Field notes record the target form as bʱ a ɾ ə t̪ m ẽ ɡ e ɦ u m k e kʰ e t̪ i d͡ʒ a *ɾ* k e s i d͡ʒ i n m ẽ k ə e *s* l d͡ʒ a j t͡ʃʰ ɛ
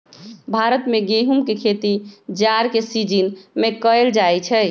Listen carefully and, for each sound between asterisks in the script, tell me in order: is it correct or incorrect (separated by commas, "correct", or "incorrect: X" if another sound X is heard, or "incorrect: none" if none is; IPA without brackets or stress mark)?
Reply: correct, incorrect: none